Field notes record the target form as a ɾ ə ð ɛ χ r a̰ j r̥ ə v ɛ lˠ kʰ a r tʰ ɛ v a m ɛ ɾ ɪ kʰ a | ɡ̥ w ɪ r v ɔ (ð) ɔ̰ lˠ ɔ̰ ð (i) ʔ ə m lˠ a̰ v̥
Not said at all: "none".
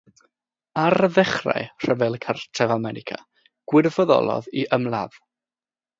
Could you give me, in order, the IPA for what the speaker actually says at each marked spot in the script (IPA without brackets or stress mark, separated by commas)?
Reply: ð, i